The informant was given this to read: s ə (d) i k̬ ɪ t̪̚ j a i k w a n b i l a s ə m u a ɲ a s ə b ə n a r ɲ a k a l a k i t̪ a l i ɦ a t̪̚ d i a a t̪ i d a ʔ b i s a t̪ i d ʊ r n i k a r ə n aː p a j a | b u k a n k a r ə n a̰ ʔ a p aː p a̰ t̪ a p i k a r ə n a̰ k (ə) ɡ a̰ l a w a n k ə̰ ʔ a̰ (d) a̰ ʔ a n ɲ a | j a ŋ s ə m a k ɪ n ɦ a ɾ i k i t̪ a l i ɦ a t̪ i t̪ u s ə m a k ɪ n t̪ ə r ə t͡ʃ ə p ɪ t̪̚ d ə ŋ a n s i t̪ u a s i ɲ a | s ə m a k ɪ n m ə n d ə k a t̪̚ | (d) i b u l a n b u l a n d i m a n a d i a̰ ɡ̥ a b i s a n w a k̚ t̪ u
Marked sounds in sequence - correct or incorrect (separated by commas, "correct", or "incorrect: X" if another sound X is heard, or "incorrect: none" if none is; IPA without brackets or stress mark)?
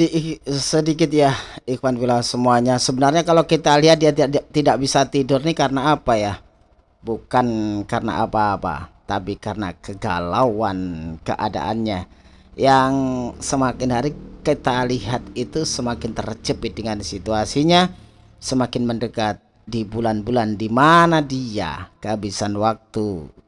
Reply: correct, correct, correct, correct